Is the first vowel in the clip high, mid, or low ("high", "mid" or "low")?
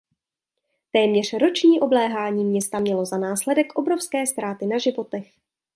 mid